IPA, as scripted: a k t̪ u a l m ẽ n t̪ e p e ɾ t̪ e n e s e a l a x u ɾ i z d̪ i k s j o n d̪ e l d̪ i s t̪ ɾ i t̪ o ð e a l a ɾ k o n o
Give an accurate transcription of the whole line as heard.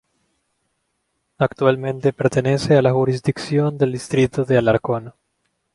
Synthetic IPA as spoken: a k t̪ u a l m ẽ n t̪ e p e ɾ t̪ e n e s e a l a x u ɾ i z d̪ i k s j o n d̪ e l d̪ i s t̪ ɾ i t̪ o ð e a l a ɾ k o n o